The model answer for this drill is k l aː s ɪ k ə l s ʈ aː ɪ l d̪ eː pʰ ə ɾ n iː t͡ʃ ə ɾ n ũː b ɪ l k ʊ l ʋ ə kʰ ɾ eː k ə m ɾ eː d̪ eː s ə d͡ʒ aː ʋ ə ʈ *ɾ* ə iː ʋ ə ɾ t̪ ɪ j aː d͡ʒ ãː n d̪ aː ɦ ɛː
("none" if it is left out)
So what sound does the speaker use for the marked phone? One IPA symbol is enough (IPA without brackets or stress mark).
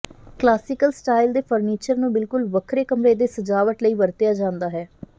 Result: l